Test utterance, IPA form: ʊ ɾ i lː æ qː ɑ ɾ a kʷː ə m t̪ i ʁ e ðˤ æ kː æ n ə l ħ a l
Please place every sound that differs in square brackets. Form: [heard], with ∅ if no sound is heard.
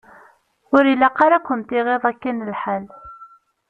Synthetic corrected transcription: ʊ ɾ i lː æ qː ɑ ɾ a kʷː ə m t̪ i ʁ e ðˤ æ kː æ n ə l ħ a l